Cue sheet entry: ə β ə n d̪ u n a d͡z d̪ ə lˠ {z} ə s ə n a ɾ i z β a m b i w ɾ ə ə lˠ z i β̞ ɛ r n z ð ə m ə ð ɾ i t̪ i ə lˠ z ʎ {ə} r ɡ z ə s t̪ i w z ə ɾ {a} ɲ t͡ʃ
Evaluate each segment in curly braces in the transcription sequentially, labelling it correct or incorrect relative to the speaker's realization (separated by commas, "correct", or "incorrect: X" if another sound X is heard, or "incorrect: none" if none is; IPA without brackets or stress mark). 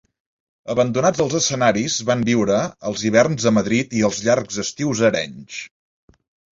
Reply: correct, incorrect: a, incorrect: ɛ